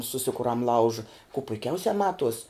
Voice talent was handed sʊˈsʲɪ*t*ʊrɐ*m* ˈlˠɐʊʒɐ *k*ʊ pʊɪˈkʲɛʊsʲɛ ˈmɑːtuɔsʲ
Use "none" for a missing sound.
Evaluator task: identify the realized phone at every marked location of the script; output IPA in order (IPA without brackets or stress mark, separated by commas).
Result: k, m, k